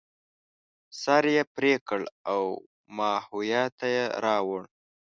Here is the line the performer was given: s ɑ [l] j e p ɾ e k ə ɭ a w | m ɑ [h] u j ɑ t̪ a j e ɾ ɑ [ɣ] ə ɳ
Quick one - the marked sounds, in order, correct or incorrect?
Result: incorrect: ɾ, correct, incorrect: w

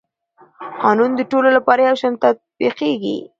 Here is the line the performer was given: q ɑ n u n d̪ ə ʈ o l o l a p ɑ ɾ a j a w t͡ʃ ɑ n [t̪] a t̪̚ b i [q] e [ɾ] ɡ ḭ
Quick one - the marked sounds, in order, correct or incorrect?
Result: correct, correct, incorrect: none

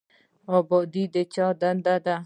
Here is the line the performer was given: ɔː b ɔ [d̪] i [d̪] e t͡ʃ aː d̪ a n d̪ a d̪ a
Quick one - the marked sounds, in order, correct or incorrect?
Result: correct, correct

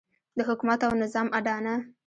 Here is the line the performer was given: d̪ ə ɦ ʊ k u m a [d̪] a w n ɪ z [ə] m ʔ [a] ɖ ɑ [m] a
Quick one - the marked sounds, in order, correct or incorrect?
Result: incorrect: t̪, incorrect: ɑ, correct, incorrect: n

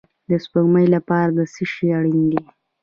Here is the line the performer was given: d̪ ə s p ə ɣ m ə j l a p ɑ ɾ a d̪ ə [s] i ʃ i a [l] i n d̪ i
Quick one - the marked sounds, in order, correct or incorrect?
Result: correct, incorrect: ɽ

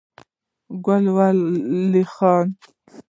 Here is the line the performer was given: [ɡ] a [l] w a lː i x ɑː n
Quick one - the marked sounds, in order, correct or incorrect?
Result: correct, correct

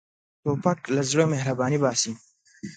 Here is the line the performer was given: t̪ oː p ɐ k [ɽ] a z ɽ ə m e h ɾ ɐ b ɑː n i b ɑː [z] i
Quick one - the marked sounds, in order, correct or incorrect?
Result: incorrect: l, incorrect: s

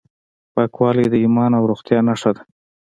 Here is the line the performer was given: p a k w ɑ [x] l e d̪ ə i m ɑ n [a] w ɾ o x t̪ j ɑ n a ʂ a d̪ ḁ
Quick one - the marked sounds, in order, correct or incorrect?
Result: incorrect: none, correct

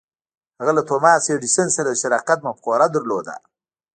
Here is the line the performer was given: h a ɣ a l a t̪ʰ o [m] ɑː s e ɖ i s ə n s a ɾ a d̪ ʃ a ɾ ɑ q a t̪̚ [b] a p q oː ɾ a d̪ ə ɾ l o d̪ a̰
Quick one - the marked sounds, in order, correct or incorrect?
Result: correct, incorrect: m

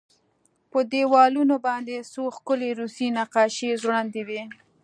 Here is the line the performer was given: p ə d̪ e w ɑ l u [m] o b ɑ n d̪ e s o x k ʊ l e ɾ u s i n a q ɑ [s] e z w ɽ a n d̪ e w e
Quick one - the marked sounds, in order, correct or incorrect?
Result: incorrect: n, incorrect: ʃ

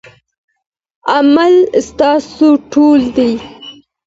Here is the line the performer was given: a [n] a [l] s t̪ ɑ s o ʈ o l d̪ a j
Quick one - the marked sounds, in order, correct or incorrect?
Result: incorrect: m, correct

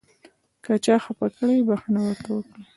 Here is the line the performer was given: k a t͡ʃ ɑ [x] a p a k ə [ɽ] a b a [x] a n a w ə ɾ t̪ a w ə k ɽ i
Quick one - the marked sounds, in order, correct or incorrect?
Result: correct, correct, correct

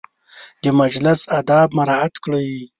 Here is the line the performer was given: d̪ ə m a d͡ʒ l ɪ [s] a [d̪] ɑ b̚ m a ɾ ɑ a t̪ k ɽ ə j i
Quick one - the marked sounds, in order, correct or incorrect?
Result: correct, correct

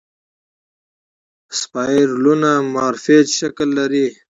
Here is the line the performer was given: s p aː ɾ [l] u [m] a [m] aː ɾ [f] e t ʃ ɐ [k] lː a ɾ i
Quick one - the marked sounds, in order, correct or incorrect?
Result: correct, incorrect: n, correct, correct, correct

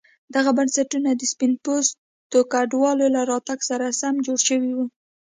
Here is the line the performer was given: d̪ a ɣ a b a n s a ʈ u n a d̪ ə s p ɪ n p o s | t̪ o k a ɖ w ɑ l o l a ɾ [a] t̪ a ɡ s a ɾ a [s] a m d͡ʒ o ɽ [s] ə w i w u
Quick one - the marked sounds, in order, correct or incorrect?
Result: incorrect: ɑ, correct, incorrect: ʃ

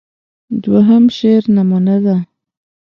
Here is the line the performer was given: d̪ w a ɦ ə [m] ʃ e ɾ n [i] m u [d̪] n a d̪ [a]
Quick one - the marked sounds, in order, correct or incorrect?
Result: correct, incorrect: a, incorrect: none, correct

